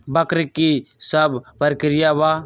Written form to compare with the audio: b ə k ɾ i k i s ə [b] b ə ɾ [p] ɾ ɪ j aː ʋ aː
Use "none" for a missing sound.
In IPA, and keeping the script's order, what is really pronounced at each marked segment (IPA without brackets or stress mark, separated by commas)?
b, k